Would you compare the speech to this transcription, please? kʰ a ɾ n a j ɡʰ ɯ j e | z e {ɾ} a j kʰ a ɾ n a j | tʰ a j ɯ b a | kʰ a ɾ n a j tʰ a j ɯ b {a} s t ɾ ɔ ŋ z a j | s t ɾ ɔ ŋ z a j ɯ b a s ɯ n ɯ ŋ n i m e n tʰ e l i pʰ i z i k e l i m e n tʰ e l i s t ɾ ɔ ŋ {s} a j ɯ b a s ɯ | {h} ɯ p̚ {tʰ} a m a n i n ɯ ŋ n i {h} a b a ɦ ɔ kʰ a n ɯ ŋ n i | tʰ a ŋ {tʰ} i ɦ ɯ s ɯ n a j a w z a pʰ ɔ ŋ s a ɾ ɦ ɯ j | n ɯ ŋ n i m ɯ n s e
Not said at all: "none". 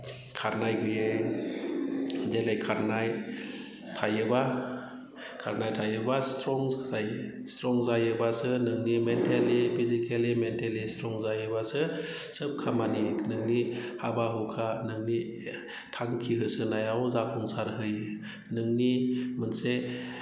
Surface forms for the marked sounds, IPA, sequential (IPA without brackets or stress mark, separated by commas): l, a, z, s, kʰ, h, kʰ